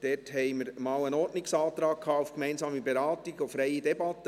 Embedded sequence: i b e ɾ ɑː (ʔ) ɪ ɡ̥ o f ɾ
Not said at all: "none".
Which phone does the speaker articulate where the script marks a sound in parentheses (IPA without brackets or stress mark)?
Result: t